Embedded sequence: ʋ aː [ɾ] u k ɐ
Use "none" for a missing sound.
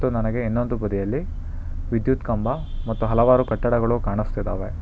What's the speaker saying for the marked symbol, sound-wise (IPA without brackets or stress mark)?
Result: ɾ